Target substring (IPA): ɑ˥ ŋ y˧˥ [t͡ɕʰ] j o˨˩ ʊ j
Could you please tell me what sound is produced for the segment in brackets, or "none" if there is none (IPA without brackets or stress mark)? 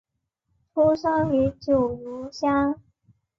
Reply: t͡ɕ